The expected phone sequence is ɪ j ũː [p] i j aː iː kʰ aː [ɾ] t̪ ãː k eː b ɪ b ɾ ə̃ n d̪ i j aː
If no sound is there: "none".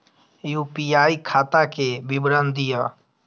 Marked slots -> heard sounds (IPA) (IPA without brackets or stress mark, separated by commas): p, none